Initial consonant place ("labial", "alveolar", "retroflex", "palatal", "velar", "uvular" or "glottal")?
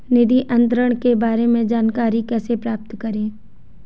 alveolar